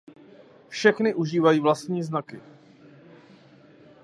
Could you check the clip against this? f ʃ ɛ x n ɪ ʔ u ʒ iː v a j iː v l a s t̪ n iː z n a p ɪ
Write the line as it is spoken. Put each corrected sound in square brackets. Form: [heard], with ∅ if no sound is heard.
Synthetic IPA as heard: f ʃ ɛ x n ɪ ʔ u ʒ iː v a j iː v l a s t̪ [ɲ] iː z n a [k] ɪ